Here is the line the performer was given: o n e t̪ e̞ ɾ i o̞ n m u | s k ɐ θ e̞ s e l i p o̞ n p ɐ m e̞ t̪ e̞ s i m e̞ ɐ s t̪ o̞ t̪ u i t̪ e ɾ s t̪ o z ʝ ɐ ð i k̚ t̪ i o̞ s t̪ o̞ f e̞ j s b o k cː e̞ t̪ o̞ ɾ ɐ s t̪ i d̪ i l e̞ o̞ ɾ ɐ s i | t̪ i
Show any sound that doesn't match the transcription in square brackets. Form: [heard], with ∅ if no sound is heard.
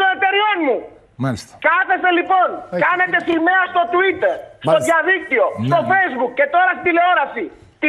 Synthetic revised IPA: o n e t̪ e̞ ɾ i o̞ n m u | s k ɐ θ e̞ s e l i p o̞ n [k] ɐ [n] e̞ t̪ e̞ s i m e̞ ɐ s t̪ o̞ t̪ u i t̪ e ɾ s t̪ o [ð] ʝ ɐ ð i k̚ t̪ i o̞ s t̪ o̞ f e̞ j [z] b [u] k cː e̞ t̪ o̞ ɾ ɐ s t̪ i d̪ i l e̞ o̞ ɾ ɐ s i | t̪ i